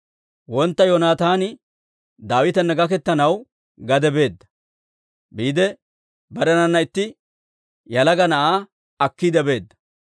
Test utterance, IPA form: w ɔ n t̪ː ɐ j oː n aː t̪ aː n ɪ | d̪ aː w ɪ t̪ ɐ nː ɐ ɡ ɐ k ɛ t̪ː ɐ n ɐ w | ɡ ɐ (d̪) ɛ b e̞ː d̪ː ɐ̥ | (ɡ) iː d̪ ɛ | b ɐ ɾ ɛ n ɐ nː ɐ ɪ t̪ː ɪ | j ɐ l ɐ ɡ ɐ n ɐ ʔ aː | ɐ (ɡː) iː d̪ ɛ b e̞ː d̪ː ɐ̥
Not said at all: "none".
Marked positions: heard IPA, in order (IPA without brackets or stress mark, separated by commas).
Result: d̪, b, kː